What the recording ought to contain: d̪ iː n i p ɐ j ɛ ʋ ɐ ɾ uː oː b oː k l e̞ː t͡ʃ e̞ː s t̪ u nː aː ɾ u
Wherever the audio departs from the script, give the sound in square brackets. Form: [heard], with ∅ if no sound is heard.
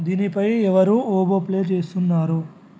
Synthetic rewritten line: d̪ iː n i p ɐ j ɛ ʋ ɐ ɾ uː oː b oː [p] l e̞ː t͡ʃ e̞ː s t̪ u nː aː ɾ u

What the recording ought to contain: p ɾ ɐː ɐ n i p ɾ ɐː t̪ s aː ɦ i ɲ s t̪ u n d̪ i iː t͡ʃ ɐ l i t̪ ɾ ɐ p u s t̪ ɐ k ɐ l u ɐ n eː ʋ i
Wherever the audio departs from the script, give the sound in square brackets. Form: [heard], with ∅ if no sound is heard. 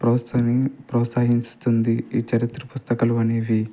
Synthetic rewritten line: p ɾ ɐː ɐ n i p ɾ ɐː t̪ s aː ɦ i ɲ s t̪ u n d̪ i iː t͡ʃ ɐ [ɾ] i t̪ ɾ ɐ p u s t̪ ɐ k ɐ l u ɐ n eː ʋ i

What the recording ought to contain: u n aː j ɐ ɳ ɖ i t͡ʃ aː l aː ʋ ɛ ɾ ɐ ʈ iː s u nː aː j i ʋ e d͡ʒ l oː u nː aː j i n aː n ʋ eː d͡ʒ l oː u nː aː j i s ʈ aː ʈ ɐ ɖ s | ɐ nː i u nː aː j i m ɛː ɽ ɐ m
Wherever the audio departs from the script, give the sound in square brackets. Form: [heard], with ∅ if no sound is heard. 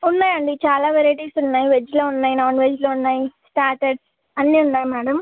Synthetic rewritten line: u [nː] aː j ɐ ɳ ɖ i t͡ʃ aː l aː ʋ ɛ ɾ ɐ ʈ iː s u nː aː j i ʋ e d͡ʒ l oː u nː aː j i n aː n ʋ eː d͡ʒ l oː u nː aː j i s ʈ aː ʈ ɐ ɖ s | ɐ nː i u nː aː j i m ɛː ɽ ɐ m

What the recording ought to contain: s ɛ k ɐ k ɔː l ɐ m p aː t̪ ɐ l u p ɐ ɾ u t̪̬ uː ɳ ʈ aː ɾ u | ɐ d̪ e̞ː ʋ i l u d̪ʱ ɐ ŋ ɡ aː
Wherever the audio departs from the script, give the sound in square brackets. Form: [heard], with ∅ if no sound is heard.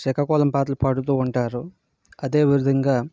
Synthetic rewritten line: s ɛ k ɐ k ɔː l ɐ m p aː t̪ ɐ l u p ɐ [ɽ] u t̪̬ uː ɳ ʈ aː ɾ u | ɐ d̪ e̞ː ʋ i [ɾ] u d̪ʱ ɐ ŋ ɡ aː

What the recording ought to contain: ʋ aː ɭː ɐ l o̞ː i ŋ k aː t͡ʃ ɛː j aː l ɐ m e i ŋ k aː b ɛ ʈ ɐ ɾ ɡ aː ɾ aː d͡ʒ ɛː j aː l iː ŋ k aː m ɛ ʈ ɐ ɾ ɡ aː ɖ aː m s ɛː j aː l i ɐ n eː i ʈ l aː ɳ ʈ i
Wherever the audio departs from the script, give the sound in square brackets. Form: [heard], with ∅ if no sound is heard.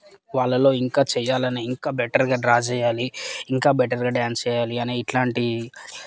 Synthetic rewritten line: ʋ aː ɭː ɐ l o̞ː i ŋ k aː t͡ʃ ɛː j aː l ɐ [n] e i ŋ k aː b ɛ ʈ ɐ ɾ ɡ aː ɾ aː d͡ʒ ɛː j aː l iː ŋ k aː [b] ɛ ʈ ɐ ɾ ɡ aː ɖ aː [n] s ɛː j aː l i ɐ n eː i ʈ l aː ɳ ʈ i

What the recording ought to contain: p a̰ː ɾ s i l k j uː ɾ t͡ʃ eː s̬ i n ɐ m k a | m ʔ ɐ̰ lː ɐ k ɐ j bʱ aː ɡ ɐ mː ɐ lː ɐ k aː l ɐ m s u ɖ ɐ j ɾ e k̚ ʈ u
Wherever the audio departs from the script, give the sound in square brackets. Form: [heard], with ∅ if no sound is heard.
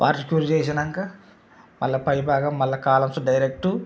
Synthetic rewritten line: p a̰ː ɾ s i [∅] k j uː ɾ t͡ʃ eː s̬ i n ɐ [ŋ] k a | m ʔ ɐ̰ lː ɐ [p] ɐ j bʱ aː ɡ ɐ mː ɐ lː ɐ k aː l ɐ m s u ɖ ɐ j ɾ e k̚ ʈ u

